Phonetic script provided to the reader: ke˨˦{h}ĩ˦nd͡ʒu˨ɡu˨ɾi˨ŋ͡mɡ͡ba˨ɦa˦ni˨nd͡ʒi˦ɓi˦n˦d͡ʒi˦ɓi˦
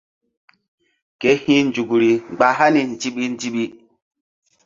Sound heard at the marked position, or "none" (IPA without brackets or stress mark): h